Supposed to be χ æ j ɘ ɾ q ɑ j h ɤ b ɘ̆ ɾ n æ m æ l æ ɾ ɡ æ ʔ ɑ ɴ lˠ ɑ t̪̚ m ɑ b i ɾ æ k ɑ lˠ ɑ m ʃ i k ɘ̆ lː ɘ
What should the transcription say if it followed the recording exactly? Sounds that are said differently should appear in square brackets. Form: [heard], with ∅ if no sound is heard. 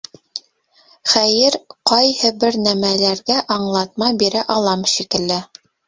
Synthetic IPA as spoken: χ æ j ɘ ɾ q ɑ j h ɤ b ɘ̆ ɾ n æ m æ l æ ɾ ɡ æ ʔ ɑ ɴ lˠ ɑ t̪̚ m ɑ b i ɾ æ [ʔ] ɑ lˠ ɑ m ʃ i k ɘ̆ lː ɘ